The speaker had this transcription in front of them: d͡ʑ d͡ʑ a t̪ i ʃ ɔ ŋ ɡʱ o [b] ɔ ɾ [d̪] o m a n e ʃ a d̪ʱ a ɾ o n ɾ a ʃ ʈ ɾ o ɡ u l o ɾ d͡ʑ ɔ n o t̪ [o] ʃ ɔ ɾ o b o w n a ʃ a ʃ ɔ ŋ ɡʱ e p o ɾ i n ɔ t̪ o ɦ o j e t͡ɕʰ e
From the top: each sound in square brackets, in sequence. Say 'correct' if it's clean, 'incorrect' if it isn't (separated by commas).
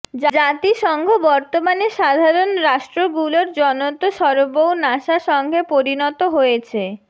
correct, incorrect, correct